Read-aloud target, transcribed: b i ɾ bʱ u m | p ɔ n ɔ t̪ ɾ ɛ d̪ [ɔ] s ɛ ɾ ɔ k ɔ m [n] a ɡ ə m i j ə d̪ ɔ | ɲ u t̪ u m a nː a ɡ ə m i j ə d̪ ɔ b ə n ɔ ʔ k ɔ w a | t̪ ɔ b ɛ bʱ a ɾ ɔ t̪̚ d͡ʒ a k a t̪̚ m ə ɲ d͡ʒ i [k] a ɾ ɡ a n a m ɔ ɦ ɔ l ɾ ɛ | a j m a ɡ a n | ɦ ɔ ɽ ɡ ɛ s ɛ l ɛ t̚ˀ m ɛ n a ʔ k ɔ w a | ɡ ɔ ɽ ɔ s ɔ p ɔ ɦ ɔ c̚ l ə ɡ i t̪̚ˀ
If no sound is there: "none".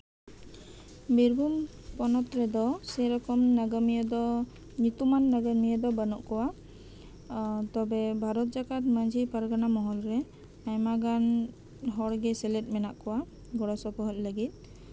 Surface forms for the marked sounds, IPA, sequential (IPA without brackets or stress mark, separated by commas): ɔ, n, p